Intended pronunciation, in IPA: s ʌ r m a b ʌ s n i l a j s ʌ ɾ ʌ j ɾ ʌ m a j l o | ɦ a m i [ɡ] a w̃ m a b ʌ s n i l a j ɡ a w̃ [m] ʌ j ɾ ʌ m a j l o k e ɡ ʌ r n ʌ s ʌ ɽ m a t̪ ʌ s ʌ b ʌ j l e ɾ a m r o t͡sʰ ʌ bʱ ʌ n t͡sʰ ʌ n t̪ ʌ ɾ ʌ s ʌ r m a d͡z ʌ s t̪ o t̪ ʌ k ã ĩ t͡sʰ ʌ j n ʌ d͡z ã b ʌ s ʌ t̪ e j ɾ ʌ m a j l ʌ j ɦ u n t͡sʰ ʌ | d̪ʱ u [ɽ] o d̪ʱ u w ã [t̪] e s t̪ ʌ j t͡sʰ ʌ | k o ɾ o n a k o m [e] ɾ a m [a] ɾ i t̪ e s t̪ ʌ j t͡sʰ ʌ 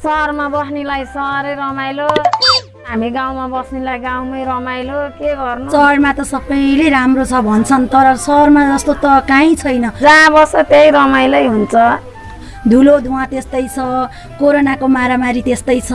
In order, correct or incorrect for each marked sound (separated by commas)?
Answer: correct, correct, incorrect, correct, incorrect, correct